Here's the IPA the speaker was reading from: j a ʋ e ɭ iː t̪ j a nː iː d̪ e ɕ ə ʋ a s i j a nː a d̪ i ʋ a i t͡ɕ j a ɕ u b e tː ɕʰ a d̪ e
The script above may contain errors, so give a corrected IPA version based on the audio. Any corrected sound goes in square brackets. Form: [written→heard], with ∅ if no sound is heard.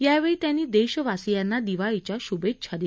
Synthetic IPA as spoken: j a ʋ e ɭ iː t̪ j a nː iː d̪ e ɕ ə ʋ a s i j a nː a d̪ i ʋ a i t͡ɕ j a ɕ u b e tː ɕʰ a d̪ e

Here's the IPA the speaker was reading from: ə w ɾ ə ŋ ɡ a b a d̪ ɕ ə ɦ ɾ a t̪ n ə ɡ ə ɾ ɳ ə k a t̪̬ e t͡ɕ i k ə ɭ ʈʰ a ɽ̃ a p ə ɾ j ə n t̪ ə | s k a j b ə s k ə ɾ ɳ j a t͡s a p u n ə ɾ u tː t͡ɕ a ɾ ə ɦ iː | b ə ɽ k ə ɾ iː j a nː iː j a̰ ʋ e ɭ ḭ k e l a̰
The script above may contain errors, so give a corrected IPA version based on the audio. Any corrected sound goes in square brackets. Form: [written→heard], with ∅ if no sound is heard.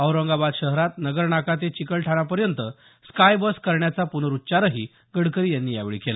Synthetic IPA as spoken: ə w ɾ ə ŋ ɡ a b a d̪ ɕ ə ɦ ɾ a t̪ n ə ɡ ə ɾ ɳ [ə→a] k a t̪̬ e t͡ɕ i k ə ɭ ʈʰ a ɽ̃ a p ə ɾ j ə n t̪ ə | s k a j b ə s k ə ɾ ɳ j a t͡s a p u n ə ɾ u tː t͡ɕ a ɾ ə ɦ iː | [b→ɡ] ə ɽ k ə ɾ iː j a nː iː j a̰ ʋ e ɭ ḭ k e l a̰

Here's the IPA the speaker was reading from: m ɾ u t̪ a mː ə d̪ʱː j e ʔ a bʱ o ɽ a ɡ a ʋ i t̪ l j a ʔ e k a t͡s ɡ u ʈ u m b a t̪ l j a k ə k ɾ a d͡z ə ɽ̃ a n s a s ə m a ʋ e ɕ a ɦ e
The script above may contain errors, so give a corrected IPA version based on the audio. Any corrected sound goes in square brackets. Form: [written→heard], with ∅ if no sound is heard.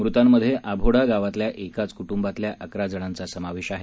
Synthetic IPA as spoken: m ɾ u t̪ a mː ə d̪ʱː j e ʔ a bʱ o ɽ a ɡ a ʋ [i→a] t̪ l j a ʔ e k a t͡s [ɡ→k] u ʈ u m b a t̪ l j a [k→ʔ] ə k ɾ a d͡z ə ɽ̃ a n [s→t͡s] a s ə m a ʋ e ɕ a ɦ e

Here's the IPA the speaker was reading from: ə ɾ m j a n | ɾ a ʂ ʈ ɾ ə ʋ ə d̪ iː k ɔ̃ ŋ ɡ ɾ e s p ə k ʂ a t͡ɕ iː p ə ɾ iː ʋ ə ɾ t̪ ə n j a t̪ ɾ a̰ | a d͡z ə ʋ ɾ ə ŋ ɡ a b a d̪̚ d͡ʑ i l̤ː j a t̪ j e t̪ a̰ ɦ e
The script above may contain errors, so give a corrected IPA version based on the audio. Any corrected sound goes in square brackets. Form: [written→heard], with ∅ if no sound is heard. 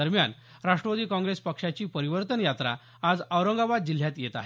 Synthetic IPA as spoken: ə ɾ m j a n | ɾ a ʂ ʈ ɾ ə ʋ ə d̪ iː k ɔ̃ ŋ ɡ ɾ e s p ə k ʂ a t͡ɕ iː p ə ɾ [iː→i] ʋ ə ɾ t̪ ə n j a t̪ ɾ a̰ | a d͡z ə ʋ ɾ ə ŋ ɡ a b a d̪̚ d͡ʑ i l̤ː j a t̪ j e t̪ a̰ ɦ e

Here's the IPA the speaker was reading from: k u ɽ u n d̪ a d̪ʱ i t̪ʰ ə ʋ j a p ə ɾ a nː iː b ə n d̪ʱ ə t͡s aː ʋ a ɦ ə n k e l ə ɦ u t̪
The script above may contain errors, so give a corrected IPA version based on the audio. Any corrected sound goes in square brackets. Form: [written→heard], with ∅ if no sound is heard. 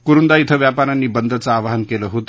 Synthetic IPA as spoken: k u [ɽ→ɾ] u n d̪ a [d̪ʱ→∅] i t̪ʰ ə ʋ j a p [ə→a] ɾ a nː iː b ə n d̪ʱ ə t͡s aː ʋ a ɦ ə n k e l ə ɦ [u→o] t̪

